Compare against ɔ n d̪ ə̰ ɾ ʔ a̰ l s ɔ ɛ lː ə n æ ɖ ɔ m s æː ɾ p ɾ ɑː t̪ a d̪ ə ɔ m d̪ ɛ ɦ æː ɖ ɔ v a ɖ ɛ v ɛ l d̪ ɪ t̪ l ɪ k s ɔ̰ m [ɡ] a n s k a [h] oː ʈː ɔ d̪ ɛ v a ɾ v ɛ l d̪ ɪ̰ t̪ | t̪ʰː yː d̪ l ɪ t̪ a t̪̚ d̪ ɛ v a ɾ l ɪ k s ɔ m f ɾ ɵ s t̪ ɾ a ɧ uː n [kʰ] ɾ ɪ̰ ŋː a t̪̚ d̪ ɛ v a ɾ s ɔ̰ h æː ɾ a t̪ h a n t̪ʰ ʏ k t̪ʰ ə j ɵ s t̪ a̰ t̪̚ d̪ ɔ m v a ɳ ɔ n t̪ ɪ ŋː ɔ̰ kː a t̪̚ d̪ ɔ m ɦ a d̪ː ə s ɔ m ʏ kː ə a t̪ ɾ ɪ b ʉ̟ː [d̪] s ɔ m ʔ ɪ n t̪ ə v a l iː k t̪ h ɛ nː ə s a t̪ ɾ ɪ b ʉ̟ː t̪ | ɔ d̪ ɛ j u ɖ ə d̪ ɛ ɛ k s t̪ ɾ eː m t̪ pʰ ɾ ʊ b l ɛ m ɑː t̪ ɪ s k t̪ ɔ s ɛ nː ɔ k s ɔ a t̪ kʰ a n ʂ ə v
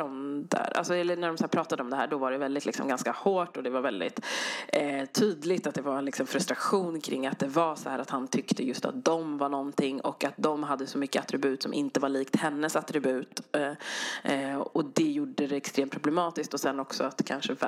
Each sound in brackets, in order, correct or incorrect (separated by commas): correct, correct, correct, incorrect